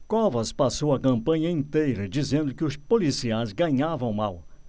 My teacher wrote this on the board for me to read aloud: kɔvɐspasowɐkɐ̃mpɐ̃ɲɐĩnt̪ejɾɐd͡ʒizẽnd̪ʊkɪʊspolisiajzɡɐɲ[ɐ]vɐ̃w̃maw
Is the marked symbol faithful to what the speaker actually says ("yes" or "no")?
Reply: no